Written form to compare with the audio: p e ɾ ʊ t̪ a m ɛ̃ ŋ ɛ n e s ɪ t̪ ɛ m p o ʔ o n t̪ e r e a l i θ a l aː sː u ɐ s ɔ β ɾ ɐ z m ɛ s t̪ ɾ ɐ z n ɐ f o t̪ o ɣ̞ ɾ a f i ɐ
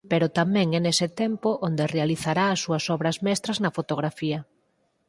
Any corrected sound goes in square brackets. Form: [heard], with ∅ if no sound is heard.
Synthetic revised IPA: p e ɾ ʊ t̪ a m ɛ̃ ŋ ɛ n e s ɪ t̪ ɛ m p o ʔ o n [d̪] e r e a l i θ a [ɾ] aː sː u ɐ s ɔ β ɾ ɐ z m ɛ s t̪ ɾ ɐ z n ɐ f o t̪ o ɣ̞ ɾ a f i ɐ